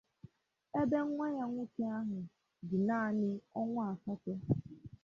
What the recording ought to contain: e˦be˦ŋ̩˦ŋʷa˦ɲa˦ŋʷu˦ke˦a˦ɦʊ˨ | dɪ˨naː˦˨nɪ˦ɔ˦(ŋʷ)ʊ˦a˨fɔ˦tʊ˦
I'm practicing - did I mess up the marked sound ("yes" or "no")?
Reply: no